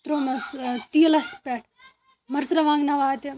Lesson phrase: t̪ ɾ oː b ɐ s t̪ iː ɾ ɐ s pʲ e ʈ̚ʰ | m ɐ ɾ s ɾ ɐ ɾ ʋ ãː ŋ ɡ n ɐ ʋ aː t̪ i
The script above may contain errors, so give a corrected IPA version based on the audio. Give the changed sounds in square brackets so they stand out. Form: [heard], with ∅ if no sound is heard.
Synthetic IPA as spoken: t̪ ɾ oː [m] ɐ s t̪ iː [l] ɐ s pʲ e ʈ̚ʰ | m ɐ ɾ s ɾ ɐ [∅] ʋ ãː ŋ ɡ n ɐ ʋ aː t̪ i